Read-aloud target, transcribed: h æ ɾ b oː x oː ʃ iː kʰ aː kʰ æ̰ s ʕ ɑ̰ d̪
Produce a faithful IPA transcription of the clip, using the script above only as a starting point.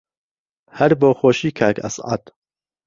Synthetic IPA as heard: h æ ɾ b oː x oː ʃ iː kʰ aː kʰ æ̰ s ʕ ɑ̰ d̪